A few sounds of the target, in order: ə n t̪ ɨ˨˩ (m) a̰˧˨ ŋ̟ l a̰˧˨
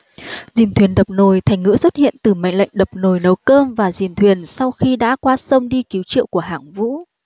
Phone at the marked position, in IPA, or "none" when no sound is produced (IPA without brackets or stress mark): m